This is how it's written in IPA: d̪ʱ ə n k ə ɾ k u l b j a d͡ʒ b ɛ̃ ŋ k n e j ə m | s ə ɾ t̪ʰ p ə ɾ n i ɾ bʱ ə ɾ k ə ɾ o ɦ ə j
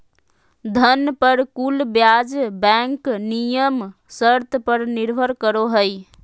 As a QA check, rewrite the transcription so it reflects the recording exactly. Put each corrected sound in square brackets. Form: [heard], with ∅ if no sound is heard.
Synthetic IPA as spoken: d̪ʱ ə n [p] ə ɾ k u l b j a d͡ʒ b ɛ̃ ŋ k n [i] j ə m | s ə ɾ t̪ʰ p ə ɾ n i ɾ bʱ ə ɾ k ə ɾ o ɦ ə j